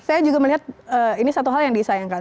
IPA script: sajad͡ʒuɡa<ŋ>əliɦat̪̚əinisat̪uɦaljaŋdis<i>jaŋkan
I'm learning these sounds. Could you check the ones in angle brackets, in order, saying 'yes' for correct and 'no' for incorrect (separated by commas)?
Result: no, no